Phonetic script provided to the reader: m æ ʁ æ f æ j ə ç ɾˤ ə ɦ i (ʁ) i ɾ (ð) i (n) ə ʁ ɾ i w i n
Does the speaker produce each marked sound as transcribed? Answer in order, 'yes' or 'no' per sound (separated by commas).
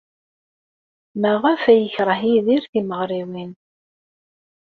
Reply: no, no, no